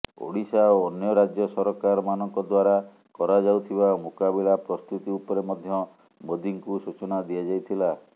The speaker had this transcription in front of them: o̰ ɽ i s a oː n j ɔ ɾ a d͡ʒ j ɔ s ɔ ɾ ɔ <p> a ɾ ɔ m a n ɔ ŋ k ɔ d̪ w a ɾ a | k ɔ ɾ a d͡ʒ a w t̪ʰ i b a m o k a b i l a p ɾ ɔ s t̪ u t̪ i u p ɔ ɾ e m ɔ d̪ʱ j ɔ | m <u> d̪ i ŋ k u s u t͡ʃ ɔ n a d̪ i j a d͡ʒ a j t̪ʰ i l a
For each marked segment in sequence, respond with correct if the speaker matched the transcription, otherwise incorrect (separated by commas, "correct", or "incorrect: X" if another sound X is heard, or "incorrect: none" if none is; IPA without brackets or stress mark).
incorrect: k, incorrect: o